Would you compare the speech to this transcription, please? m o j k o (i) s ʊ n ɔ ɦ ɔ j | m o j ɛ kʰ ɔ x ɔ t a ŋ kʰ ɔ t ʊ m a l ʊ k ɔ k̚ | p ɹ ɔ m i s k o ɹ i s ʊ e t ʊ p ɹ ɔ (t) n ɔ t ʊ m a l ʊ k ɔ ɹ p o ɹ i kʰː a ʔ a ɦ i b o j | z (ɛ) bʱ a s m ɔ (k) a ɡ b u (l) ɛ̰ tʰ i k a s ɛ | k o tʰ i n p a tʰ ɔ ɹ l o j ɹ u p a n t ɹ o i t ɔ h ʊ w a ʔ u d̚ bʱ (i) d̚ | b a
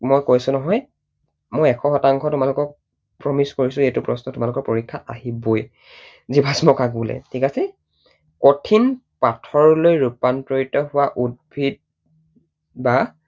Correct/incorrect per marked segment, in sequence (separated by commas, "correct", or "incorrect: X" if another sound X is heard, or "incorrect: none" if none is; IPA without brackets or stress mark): incorrect: j, incorrect: s, incorrect: i, correct, correct, correct